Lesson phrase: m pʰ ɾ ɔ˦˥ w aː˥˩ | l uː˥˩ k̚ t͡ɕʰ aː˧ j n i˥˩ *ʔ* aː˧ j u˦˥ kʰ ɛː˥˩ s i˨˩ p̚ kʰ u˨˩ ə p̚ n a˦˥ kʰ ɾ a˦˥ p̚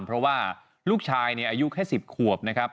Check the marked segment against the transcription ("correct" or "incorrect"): correct